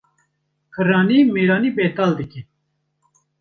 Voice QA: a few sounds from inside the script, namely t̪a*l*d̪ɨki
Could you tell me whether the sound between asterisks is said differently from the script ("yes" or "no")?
no